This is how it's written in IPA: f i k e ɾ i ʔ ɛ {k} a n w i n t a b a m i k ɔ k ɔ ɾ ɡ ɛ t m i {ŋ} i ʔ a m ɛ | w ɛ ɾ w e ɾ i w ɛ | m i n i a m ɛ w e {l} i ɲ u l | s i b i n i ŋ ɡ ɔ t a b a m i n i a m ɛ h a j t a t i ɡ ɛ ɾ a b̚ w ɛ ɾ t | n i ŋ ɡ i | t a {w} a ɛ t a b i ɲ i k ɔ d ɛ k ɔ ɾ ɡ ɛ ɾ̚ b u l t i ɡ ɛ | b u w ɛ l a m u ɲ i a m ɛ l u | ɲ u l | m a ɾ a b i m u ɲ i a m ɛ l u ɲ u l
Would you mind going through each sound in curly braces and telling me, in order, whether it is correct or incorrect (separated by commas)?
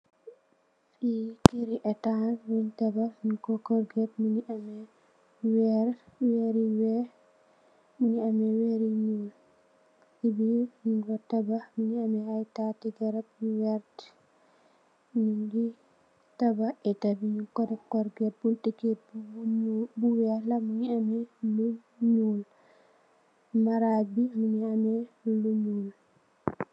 incorrect, incorrect, incorrect, incorrect